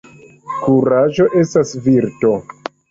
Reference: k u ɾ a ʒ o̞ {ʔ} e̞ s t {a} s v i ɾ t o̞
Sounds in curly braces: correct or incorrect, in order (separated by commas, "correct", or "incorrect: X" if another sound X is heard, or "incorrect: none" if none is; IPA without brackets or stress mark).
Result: correct, correct